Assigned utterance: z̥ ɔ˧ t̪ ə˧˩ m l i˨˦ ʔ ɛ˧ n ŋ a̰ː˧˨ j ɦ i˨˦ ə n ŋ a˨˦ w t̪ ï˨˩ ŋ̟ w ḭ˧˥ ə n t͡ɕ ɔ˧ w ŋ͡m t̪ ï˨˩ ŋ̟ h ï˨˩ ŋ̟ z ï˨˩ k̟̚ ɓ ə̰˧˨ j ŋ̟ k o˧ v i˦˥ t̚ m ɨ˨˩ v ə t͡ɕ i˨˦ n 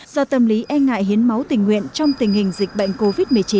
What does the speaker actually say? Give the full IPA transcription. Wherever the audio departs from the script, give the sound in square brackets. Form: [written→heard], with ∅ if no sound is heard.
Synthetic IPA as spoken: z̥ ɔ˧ t̪ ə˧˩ m l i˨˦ ʔ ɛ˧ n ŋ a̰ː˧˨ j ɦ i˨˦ ə n [ŋ→m] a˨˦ w t̪ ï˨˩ ŋ̟ w [ḭ˧˥→ḭ˧˨] ə n t͡ɕ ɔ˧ w ŋ͡m t̪ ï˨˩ ŋ̟ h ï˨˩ ŋ̟ z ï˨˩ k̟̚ ɓ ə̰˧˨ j ŋ̟ k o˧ v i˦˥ t̚ m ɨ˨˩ [v→∅] ə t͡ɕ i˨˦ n